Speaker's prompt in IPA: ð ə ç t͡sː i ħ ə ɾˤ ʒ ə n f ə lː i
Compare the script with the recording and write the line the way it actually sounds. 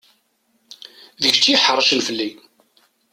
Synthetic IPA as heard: ð ə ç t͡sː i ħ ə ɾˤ ʃ ə n f ə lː i